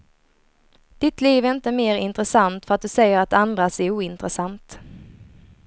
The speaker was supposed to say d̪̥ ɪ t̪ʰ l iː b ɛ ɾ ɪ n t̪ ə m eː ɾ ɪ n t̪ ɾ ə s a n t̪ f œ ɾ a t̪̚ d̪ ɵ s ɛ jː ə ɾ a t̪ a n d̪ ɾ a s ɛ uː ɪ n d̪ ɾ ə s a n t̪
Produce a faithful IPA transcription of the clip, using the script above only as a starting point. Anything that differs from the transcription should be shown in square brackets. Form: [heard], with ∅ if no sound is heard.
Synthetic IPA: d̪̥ ɪ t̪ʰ l iː [v] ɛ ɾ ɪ n t̪ ə m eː ɾ ɪ n t̪ ɾ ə s a n t̪ f œ ɾ a t̪̚ d̪ ɵ s ɛ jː ə ɾ a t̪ a n d̪ ɾ a s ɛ uː ɪ n [t̪] ɾ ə s a n t̪

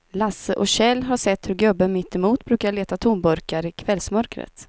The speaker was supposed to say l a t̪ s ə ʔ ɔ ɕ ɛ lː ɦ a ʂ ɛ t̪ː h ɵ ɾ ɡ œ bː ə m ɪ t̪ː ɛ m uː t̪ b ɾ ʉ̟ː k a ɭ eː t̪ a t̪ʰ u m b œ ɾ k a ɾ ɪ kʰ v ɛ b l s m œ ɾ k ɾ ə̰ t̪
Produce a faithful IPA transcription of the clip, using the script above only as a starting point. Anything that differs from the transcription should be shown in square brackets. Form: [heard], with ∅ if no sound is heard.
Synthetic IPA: l a [∅] s ə ʔ ɔ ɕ ɛ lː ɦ a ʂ ɛ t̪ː h ɵ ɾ ɡ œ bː ə m ɪ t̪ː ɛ m uː t̪ b ɾ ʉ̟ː k a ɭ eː t̪ a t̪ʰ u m b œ ɾ k a ɾ ɪ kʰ v ɛ [∅] l s m œ ɾ k ɾ ə̰ t̪

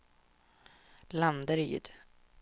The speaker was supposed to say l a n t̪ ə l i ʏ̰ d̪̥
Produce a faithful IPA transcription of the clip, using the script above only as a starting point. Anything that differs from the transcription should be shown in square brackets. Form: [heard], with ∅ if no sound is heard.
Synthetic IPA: l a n [d̪] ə [ɾ] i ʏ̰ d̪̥

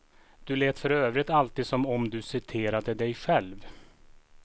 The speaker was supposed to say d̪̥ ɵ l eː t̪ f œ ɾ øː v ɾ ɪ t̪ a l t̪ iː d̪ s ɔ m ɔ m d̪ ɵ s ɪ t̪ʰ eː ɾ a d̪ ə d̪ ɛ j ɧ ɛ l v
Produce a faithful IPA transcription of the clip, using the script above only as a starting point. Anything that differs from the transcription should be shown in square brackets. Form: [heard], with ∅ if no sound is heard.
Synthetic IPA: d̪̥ ɵ l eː t̪ f œ ɾ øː v ɾ ɪ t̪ a l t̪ iː d̪ s ɔ m ɔ m d̪ ɵ s ɪ t̪ʰ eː ɾ a d̪ ə d̪ ɛ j ɧ ɛ l v

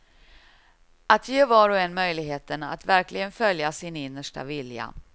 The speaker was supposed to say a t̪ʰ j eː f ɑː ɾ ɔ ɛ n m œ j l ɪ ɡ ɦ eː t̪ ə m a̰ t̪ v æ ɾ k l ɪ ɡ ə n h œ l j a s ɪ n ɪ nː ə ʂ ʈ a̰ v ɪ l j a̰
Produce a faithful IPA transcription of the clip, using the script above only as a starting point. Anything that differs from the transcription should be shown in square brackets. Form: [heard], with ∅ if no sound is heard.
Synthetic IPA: a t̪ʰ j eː [v] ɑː ɾ ɔ ɛ n m œ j l ɪ ɡ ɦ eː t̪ ə [n] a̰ t̪ v æ ɾ k l ɪ ɡ ə n [f] œ l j a s ɪ n ɪ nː ə ʂ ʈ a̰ v ɪ l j a̰

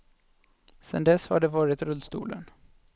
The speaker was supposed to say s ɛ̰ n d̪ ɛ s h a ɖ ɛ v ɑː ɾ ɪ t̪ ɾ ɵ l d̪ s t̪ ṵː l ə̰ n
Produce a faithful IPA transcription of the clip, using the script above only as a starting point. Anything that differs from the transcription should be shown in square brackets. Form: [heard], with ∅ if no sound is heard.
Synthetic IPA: s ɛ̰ n d̪ ɛ s h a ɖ ɛ v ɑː ɾ ɪ t̪ ɾ ɵ l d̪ s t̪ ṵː l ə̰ n

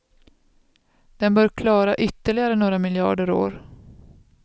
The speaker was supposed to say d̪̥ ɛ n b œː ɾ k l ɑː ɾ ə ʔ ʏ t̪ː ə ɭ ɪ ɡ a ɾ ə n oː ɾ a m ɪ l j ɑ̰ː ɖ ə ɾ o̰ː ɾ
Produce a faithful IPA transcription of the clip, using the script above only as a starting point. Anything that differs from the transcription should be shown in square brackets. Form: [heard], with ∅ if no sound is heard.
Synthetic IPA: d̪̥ ɛ n b œː ɾ [kʰ] l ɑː ɾ [a] ʔ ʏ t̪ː ə ɭ ɪ ɡ a ɾ ə n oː ɾ a m ɪ l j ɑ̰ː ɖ ə ɾ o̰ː ɾ

